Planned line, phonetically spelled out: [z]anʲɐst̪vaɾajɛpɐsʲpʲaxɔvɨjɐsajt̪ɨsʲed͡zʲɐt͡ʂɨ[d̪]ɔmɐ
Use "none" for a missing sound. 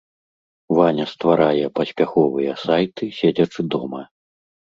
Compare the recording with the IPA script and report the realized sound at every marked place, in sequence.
v, d̪

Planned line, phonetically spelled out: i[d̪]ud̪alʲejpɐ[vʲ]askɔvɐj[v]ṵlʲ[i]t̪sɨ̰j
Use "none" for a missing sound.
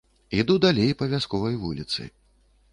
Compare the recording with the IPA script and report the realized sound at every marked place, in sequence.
d̪, vʲ, v, i

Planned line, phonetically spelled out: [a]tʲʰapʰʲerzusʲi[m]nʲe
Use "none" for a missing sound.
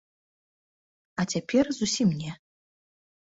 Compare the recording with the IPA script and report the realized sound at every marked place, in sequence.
a, m

